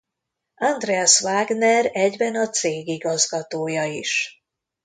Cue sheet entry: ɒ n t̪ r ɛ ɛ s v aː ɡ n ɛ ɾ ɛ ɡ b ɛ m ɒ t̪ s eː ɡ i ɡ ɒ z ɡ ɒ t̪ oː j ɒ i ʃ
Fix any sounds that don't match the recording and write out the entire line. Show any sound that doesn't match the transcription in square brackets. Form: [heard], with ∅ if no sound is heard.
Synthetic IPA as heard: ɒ n [d̪] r ɛ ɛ s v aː ɡ n ɛ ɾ ɛ [ɟ] b ɛ [n] ɒ t̪ s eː ɡ i ɡ ɒ z ɡ ɒ t̪ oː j ɒ i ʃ

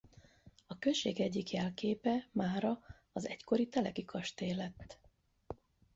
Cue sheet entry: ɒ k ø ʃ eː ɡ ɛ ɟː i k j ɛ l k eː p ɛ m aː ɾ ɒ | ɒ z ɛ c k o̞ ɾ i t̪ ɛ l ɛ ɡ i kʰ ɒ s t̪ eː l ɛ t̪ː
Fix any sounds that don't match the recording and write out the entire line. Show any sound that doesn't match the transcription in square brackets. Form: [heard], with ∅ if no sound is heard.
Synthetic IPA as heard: ɒ k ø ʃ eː ɡ ɛ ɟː i k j ɛ l k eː p ɛ m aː ɾ ɒ | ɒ z ɛ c k o̞ ɾ i t̪ ɛ l ɛ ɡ i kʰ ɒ [ʃ] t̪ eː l ɛ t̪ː

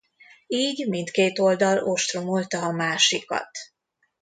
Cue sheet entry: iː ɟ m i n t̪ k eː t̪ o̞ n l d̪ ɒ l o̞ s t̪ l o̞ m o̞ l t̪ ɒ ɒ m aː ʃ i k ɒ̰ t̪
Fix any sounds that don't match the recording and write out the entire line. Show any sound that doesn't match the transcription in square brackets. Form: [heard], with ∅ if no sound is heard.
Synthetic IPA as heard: iː ɟ m i n t̪ k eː t̪ o̞ [∅] l d̪ ɒ l o̞ [ʃ] t̪ [r] o̞ m o̞ l t̪ ɒ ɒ m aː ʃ i k ɒ̰ t̪

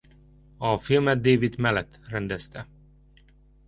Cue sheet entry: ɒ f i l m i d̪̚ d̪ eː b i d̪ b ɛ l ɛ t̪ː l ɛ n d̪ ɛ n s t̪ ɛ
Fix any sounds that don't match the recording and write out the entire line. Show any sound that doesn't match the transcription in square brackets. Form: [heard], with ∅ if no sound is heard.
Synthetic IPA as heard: ɒ f i l m [ɛ] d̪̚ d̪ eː [v] i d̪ [m] ɛ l ɛ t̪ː [r] ɛ n d̪ ɛ [∅] s t̪ ɛ

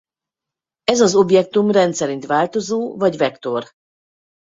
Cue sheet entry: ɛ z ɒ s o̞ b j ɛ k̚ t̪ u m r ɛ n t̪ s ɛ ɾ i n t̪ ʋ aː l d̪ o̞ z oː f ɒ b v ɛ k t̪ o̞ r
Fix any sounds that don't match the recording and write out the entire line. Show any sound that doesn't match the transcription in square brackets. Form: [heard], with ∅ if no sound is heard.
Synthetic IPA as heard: ɛ z ɒ [z] o̞ b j ɛ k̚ t̪ u m r ɛ n t̪ s ɛ ɾ i n t̪ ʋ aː l [t̪] o̞ z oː [v] ɒ [ɟ] v ɛ k t̪ o̞ r

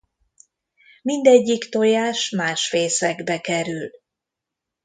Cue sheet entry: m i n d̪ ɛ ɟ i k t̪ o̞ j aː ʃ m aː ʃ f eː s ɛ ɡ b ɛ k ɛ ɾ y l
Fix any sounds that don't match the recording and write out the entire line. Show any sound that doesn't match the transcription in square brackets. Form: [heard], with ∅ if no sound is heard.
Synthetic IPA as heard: m i n d̪ ɛ [ɟː] i k t̪ o̞ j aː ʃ m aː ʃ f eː s ɛ ɡ b ɛ k ɛ ɾ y l

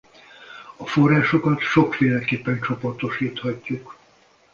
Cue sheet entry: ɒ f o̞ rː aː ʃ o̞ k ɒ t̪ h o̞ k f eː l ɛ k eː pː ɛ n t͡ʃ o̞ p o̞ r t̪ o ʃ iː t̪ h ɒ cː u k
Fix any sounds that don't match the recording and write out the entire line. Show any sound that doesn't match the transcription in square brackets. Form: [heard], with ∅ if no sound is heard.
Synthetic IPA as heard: ɒ f o̞ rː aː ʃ o̞ k ɒ t̪ [ʃ] o̞ k f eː l ɛ k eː pː ɛ n t͡ʃ o̞ p o̞ r t̪ o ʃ iː t̪ h ɒ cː u k

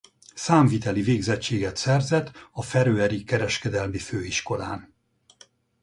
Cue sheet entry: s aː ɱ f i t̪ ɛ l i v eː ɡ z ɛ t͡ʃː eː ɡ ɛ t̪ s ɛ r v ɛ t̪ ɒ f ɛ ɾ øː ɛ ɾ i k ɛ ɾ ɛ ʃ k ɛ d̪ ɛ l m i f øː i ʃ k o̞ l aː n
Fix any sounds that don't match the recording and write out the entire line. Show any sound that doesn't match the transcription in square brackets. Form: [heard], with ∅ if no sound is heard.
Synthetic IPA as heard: s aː ɱ [v] i t̪ ɛ l i v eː ɡ z ɛ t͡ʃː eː ɡ ɛ t̪ s ɛ r [z] ɛ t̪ ɒ f ɛ ɾ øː ɛ ɾ i k ɛ ɾ ɛ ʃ k ɛ d̪ ɛ l m i f øː i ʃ k o̞ l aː n

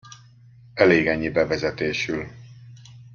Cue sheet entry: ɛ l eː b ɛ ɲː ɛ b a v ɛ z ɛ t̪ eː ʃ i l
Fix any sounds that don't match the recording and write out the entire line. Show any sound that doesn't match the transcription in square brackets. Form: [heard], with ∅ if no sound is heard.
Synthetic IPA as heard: ɛ l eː [ɡ] ɛ ɲː [i] b [ɛ] v ɛ z ɛ t̪ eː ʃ [y] l

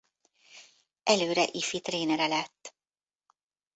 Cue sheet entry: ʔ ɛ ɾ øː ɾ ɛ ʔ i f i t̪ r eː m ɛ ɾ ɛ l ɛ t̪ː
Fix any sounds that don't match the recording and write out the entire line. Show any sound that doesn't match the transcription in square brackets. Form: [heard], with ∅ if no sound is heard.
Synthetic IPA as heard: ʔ ɛ [l] øː ɾ ɛ ʔ i f i t̪ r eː [n] ɛ ɾ ɛ l ɛ t̪ː

